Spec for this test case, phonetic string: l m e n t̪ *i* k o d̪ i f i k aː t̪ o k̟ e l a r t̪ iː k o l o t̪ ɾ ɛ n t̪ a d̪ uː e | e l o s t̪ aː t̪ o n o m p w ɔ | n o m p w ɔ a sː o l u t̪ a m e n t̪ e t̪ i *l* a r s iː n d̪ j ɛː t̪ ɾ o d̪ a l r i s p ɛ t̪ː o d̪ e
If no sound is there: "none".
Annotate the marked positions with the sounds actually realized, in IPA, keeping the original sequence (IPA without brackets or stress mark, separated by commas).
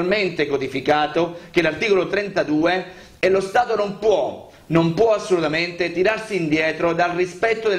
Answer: e, ɾ